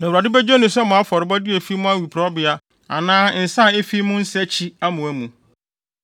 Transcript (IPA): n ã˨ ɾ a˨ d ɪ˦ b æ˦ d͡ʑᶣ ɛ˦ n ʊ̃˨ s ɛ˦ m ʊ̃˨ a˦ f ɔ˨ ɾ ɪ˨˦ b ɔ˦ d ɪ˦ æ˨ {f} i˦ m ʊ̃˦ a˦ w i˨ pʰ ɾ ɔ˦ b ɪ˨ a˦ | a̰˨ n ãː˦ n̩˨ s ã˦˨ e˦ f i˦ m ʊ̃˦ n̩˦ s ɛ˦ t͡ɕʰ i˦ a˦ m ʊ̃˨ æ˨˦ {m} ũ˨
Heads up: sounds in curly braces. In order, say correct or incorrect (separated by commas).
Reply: correct, correct